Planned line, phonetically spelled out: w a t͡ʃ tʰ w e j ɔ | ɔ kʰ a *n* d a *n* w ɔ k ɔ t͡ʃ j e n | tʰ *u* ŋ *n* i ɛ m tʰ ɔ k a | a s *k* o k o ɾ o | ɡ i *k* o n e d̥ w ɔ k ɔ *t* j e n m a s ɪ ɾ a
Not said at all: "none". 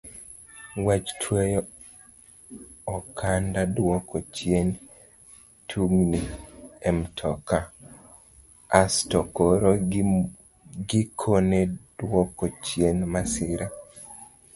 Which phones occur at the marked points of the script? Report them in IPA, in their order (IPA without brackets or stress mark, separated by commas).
n, d, u, n, t, kʰ, t͡ʃ